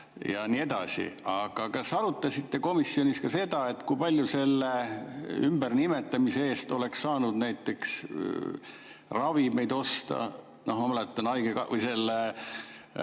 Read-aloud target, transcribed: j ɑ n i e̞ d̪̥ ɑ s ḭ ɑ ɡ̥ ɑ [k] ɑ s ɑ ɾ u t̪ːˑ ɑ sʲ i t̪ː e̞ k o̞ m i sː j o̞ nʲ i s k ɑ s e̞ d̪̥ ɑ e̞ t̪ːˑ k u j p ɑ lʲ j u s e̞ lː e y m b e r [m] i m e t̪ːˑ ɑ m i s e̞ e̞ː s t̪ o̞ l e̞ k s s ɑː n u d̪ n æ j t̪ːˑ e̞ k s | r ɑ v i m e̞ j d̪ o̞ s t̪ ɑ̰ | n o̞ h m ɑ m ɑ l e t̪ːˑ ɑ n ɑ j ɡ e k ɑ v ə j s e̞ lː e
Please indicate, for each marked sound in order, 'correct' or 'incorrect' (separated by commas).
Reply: correct, incorrect